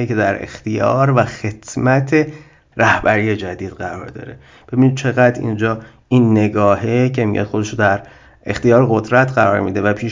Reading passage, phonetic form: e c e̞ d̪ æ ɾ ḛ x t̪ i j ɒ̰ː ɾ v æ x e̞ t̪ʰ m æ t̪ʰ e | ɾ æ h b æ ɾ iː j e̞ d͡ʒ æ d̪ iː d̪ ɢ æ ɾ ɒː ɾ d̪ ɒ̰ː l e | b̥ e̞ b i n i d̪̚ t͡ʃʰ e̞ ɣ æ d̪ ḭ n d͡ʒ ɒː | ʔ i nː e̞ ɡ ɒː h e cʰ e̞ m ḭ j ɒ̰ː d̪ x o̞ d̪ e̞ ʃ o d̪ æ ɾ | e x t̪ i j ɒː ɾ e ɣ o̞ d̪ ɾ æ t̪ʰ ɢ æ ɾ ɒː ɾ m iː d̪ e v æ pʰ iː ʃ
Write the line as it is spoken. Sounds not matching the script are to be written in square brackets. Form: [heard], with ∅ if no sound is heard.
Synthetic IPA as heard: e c e̞ d̪ æ ɾ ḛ x t̪ i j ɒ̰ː ɾ v æ x e̞ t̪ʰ m æ t̪ʰ e | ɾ æ h b æ ɾ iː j e̞ d͡ʒ æ d̪ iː d̪ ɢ æ ɾ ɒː ɾ d̪ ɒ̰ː [ɾ] e | b̥ e̞ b i n i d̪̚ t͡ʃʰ e̞ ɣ æ d̪ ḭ n d͡ʒ ɒː | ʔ i nː e̞ ɡ ɒː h e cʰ e̞ m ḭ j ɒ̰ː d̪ x o̞ d̪ e̞ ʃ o d̪ æ ɾ | e x t̪ i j ɒː ɾ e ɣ o̞ d̪ ɾ æ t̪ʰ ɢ æ ɾ ɒː ɾ m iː d̪ e v æ pʰ iː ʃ